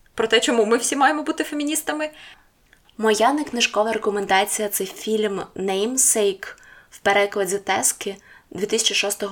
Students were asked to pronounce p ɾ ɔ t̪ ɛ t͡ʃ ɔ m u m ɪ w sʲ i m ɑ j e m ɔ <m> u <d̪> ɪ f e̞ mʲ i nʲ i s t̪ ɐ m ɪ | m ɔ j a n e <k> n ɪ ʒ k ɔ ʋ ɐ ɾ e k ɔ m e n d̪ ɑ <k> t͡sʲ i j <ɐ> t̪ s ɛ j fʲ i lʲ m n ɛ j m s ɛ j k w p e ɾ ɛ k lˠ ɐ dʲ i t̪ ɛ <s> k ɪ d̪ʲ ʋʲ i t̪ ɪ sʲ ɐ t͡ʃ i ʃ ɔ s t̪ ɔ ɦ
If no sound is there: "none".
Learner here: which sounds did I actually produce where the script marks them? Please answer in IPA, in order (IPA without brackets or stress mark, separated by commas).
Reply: b, t̪, k, none, ɐ, s